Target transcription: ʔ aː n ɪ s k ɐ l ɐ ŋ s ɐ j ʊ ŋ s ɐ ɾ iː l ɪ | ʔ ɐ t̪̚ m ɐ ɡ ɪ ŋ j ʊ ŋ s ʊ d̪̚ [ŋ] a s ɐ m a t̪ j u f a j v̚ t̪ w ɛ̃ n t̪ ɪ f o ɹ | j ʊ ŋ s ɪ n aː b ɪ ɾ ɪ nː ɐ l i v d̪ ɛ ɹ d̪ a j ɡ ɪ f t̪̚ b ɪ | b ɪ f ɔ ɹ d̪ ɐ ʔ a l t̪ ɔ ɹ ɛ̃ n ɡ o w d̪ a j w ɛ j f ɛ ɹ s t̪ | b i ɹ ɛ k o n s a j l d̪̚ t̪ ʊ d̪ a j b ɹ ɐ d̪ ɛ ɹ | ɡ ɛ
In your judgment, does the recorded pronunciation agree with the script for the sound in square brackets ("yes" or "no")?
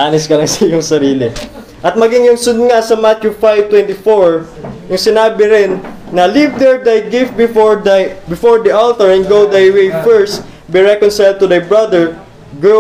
yes